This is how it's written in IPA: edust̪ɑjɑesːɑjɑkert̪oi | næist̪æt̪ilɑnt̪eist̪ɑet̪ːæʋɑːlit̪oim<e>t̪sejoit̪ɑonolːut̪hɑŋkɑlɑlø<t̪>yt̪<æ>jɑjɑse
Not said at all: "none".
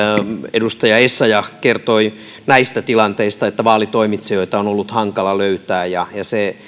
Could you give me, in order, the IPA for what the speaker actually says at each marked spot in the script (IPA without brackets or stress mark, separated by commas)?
i, none, æː